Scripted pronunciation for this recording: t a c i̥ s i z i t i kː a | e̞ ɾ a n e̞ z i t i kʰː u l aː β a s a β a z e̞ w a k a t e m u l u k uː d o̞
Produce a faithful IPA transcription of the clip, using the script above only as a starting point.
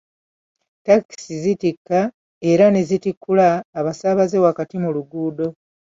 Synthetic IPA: t a k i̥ s i z i t i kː a | e̞ ɾ a n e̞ z i t i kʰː u l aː β a s a β a z e̞ w a k a t i m u l u ɡ uː d o̞